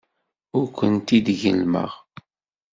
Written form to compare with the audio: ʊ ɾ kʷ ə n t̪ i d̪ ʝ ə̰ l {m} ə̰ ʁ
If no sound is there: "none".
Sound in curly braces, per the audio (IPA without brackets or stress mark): m